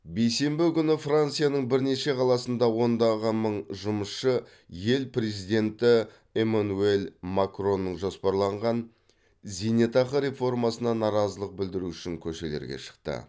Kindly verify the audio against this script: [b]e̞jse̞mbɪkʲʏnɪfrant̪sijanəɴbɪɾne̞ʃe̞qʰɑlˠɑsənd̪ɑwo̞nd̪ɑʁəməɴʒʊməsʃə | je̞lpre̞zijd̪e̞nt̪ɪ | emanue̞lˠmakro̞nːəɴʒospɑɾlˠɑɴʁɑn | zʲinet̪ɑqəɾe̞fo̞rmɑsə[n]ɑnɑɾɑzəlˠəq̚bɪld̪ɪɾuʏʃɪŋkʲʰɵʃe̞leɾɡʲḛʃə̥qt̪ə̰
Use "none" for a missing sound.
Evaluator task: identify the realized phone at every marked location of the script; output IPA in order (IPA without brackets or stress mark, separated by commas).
b, n